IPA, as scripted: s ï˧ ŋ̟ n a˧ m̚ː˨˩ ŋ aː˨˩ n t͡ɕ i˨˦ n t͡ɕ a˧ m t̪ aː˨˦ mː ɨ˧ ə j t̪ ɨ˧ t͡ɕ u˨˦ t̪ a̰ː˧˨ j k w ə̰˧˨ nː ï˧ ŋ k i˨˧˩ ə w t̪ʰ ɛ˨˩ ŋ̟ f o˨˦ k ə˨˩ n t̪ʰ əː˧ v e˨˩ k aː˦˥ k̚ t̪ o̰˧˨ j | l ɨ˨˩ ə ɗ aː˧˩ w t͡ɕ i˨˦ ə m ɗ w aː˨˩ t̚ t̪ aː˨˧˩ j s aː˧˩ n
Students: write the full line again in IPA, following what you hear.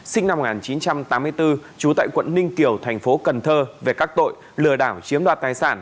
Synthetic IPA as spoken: s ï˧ ŋ̟ n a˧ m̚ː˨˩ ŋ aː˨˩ n t͡ɕ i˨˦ n t͡ɕ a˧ m t̪ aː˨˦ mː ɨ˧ ə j t̪ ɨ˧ t͡ɕ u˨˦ t̪ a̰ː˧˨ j k w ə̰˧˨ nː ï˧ ŋ k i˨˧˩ ə w t̪ʰ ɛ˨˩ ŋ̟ f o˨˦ k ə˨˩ n t̪ʰ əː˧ v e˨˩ k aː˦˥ k̚ t̪ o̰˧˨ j | l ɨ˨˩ ə ɗ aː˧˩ w t͡ɕ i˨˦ ə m ɗ w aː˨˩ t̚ t̪ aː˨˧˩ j s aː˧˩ n